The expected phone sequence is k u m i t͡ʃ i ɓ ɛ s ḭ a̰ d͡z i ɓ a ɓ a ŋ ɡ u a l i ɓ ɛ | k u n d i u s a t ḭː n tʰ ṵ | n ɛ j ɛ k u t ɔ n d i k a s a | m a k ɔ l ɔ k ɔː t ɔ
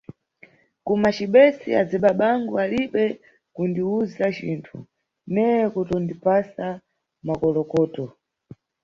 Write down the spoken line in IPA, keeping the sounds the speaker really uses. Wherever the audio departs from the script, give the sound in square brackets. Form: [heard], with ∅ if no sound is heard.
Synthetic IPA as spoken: k u m [a] t͡ʃ i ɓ ɛ s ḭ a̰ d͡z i ɓ a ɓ a ŋ ɡ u a l i ɓ ɛ | k u n d i u [z] a [t͡ʃ] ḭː n tʰ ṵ | n ɛ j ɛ k u t ɔ n d i [p] a s a | m a k ɔ l ɔ k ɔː t ɔ